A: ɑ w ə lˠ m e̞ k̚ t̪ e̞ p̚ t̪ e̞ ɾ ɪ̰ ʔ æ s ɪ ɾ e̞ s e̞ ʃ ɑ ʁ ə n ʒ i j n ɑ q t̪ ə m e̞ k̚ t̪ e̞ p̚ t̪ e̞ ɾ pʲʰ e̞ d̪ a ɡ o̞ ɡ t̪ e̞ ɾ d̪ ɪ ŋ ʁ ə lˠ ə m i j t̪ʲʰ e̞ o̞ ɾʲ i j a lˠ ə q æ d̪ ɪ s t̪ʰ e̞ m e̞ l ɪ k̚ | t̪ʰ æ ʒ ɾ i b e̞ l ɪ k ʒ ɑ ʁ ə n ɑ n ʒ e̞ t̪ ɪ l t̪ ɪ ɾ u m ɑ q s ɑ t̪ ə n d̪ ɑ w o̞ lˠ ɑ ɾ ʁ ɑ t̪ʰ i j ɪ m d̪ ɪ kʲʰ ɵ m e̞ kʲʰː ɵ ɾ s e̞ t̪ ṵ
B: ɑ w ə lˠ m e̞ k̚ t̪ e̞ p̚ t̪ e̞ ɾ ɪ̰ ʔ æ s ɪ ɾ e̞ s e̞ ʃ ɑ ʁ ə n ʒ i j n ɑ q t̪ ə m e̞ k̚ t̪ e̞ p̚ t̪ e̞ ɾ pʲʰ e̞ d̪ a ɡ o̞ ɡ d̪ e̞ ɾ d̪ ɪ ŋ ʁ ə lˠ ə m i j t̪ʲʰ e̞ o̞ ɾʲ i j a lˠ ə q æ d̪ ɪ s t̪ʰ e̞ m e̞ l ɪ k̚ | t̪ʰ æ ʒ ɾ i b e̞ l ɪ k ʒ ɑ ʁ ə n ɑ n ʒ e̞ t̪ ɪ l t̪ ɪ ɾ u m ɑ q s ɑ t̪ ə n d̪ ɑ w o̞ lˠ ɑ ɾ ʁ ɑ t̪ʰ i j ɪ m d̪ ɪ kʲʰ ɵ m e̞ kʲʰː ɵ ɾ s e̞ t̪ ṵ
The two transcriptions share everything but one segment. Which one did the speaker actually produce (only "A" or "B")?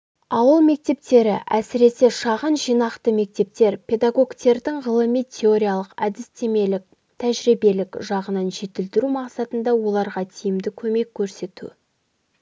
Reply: A